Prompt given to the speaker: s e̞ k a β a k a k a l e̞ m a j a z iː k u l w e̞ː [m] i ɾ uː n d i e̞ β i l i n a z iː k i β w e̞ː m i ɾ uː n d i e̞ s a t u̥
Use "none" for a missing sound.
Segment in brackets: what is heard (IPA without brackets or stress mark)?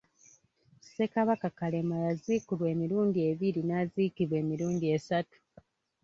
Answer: m